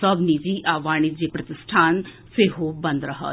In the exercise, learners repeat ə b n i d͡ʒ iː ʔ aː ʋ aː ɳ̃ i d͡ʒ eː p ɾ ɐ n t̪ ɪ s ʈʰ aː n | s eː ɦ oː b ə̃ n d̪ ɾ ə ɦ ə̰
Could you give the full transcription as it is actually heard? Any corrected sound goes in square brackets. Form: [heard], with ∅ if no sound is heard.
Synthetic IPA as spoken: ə b n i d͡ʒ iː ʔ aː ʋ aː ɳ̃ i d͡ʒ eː p ɾ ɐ [∅] t̪ ɪ s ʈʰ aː n | s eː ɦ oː b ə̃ n d̪ ɾ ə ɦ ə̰